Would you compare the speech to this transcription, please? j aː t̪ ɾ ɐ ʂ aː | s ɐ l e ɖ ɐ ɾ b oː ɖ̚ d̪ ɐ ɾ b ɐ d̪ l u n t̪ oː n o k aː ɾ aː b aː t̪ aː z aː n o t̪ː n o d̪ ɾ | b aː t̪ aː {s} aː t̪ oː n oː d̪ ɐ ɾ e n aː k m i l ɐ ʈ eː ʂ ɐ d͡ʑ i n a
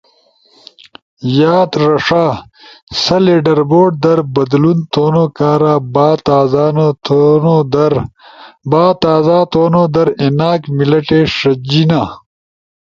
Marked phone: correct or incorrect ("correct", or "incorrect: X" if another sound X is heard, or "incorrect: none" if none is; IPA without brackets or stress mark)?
incorrect: z